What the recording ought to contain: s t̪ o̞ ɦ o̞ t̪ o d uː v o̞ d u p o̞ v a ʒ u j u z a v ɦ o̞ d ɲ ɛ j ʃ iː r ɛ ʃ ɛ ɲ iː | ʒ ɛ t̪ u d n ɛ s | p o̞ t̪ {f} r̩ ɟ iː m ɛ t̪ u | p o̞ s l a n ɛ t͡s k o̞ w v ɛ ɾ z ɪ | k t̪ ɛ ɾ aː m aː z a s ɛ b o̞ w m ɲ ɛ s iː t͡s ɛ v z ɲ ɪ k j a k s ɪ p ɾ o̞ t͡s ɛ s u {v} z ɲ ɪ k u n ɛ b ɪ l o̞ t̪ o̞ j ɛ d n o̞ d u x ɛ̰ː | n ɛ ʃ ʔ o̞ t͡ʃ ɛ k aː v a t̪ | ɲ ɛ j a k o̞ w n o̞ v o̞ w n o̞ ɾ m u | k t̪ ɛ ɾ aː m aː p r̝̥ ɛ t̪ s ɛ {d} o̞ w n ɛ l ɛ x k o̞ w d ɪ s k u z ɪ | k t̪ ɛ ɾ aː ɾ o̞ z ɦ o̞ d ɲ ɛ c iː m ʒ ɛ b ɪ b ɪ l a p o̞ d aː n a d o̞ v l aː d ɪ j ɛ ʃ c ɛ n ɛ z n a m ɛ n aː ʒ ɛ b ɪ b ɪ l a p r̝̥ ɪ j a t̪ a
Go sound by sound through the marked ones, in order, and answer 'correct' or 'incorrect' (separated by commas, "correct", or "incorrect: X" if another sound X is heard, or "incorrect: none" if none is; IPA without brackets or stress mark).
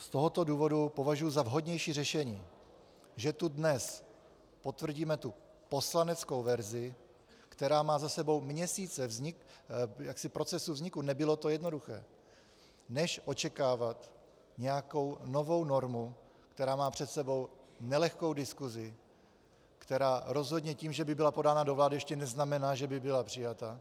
incorrect: v, correct, incorrect: b